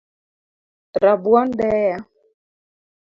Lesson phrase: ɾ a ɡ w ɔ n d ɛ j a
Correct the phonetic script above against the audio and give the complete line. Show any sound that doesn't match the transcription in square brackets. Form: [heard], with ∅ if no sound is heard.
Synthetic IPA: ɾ a [b] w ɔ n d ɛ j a